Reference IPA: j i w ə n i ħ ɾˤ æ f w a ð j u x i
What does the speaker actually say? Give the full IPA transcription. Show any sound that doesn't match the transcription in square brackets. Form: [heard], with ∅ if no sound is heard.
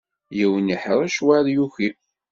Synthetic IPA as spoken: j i w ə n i ħ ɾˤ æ [ʃ] w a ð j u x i